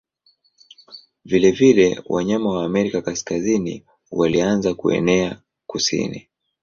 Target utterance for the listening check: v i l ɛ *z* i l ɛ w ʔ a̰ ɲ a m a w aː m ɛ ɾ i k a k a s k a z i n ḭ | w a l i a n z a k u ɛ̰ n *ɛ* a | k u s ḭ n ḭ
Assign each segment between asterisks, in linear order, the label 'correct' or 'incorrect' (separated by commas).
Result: incorrect, correct